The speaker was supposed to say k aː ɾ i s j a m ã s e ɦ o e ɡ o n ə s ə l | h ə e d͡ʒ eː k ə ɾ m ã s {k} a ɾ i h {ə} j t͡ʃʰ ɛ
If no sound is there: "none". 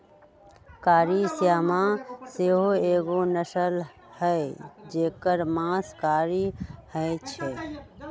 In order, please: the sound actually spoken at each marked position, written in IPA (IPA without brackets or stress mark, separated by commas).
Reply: k, ə